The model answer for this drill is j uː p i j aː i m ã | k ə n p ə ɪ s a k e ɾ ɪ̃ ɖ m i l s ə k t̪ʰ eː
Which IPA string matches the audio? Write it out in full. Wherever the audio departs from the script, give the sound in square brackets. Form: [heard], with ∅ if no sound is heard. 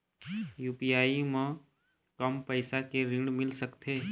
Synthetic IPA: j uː p i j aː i m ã | k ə [m] p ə ɪ s a k e ɾ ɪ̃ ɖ m [ɪ] l s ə k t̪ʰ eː